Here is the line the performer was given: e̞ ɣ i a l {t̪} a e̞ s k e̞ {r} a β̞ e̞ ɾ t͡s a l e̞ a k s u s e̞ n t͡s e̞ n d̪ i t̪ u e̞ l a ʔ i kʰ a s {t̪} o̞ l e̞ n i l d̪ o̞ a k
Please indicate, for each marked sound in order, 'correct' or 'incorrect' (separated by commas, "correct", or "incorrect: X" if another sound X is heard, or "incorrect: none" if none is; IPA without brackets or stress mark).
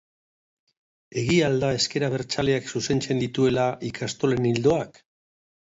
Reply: incorrect: d̪, incorrect: ɾ, correct